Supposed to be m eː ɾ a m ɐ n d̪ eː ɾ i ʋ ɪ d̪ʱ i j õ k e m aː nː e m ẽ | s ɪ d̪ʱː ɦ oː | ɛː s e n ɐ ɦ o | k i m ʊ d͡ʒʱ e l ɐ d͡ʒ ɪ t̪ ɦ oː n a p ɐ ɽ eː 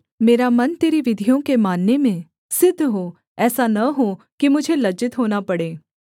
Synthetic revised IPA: m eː ɾ a m ɐ n t̪ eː ɾ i ʋ ɪ d̪ʱ i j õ k e m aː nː e m ẽ | s ɪ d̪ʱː ɦ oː | ɛː s a n ɐ ɦ o | k i m ʊ d͡ʒʱ e l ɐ d͡ʒ ɪ t̪ ɦ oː n a p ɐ ɽ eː